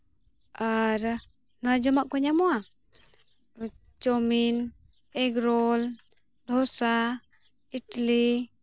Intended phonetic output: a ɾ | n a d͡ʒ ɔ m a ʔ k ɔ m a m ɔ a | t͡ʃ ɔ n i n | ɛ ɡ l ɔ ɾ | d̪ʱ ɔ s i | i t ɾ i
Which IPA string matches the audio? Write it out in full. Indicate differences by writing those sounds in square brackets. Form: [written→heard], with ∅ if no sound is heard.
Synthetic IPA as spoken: a ɾ | n a d͡ʒ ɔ m a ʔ k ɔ [m→ɲ] a m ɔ a | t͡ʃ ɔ [n→m] i n | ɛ ɡ [l→ɾ] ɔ [ɾ→l] | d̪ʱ ɔ s [i→a] | i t [ɾ→l] i